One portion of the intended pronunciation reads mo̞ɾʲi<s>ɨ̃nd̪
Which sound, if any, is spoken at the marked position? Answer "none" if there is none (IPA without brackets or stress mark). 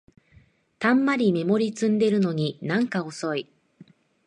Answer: t͡s